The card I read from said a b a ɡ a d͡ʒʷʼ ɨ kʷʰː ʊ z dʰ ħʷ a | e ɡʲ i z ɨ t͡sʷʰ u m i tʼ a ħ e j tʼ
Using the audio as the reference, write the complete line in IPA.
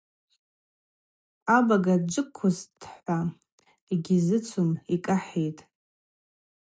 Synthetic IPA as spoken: a b a ɡ a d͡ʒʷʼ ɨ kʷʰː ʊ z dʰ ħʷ a | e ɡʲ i z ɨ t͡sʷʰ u m i kʼ a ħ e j tʼ